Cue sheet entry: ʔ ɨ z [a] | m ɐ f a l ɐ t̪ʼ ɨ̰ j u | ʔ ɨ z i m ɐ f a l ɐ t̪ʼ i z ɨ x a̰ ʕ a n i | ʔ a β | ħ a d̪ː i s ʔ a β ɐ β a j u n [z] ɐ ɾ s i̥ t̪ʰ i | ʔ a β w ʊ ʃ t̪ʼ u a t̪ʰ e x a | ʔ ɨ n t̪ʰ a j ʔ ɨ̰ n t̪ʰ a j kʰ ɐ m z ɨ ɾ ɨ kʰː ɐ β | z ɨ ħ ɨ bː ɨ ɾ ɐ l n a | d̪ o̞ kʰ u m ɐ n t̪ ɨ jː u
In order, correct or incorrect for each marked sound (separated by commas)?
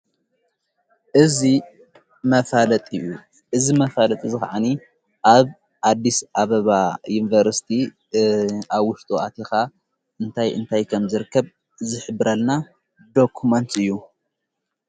incorrect, incorrect